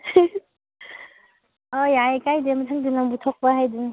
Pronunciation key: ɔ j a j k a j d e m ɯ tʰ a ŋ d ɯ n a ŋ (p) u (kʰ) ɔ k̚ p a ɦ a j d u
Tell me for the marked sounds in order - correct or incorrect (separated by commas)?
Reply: incorrect, incorrect